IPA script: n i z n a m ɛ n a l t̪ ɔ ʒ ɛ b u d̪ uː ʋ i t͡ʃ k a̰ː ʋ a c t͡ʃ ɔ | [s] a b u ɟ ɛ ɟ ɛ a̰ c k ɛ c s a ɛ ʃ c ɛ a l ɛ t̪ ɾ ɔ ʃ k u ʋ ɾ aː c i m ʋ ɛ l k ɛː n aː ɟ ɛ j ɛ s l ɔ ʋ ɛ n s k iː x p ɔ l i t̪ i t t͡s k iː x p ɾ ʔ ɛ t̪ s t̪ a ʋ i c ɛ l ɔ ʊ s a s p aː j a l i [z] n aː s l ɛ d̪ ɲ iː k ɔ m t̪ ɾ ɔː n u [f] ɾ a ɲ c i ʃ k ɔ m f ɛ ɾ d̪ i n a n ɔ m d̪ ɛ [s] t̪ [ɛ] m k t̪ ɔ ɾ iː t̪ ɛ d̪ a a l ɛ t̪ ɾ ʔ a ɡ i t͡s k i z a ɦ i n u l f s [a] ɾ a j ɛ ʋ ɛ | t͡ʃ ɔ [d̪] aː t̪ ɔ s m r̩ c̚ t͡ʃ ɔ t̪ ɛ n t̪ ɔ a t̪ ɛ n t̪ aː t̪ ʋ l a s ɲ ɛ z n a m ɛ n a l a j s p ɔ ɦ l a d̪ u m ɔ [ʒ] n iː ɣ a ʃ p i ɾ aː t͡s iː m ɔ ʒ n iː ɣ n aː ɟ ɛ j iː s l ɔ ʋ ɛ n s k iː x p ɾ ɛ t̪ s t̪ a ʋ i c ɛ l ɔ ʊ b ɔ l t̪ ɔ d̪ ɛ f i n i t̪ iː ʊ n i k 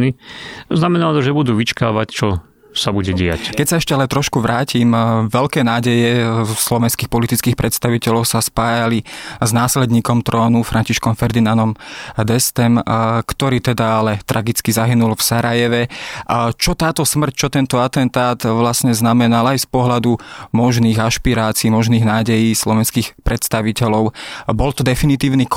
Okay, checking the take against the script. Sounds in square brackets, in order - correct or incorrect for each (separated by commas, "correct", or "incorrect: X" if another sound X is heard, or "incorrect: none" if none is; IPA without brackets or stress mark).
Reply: correct, correct, correct, correct, correct, correct, incorrect: t̪, correct